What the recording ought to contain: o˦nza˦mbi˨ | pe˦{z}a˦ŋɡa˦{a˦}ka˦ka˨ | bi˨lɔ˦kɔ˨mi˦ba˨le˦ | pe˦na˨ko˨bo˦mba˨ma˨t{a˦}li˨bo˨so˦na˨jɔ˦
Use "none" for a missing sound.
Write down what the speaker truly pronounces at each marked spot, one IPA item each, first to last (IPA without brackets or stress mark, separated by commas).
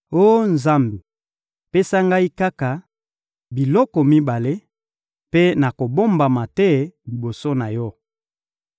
s, i˦, ɛ˦